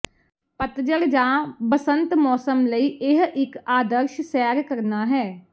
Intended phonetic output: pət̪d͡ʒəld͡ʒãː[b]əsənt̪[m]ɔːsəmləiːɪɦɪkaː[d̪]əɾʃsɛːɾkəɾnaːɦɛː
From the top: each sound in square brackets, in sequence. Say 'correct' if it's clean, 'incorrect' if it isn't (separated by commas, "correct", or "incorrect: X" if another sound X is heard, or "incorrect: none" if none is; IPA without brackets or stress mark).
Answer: correct, correct, correct